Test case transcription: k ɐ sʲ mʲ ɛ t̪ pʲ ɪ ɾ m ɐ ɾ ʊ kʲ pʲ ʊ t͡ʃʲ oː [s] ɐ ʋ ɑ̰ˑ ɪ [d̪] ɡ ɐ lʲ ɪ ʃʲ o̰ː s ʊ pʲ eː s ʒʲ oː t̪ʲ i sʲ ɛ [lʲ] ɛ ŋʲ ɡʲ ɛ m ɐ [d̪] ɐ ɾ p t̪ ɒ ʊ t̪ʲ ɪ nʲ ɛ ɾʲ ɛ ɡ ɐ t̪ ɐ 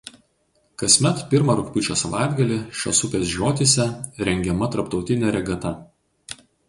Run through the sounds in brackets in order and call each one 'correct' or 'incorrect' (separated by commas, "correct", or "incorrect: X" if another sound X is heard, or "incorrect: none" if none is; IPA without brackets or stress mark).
correct, correct, incorrect: ɾʲ, incorrect: t̪